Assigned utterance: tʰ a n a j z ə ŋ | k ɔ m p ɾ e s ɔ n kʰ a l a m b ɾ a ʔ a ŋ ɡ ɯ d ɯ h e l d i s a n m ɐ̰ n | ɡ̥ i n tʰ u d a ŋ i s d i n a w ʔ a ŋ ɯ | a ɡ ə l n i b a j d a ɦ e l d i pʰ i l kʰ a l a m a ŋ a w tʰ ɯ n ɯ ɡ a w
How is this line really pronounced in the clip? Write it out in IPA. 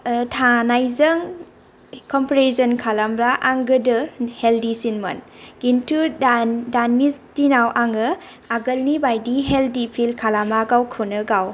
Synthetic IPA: tʰ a n a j z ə ŋ | k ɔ m p ɾ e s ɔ n kʰ a l a m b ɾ a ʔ a ŋ ɡ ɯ d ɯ h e l d i s i n m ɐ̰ n | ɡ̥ i n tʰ u d a n i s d i n a w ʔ a ŋ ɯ | a ɡ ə l n i b a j d i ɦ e l d i pʰ i l kʰ a l a m a ɡ a w kʰ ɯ n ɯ ɡ a w